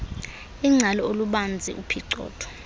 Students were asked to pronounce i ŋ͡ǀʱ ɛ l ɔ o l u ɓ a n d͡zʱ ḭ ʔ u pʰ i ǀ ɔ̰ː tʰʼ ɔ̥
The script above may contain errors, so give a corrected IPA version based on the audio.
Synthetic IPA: i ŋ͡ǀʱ a l ɔ o l u ɓ a n d͡zʱ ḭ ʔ u pʰ i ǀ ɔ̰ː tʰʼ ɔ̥